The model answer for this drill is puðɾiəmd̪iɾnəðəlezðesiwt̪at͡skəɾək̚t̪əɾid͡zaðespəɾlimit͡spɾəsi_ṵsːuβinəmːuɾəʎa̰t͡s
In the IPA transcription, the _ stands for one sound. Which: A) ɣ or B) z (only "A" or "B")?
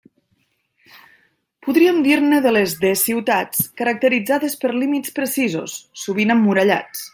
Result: B